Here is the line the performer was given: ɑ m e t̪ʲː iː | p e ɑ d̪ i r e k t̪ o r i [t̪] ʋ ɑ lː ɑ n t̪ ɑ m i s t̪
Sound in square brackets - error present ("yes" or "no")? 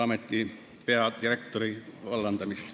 yes